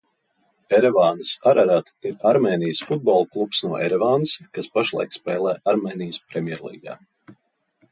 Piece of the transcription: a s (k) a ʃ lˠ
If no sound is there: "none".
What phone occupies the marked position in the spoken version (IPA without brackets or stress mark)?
p